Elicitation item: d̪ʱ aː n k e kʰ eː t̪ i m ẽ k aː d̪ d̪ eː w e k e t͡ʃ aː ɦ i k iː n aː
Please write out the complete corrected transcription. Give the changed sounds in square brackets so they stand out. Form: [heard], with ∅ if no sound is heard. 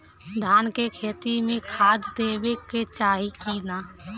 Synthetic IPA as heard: d̪ʱ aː n k e kʰ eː t̪ i m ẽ [kʰ] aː d̪ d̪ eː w e k e t͡ʃ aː ɦ i k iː n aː